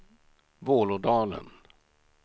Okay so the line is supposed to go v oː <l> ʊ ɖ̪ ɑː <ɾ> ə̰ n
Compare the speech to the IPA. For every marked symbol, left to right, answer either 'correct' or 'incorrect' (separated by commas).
correct, incorrect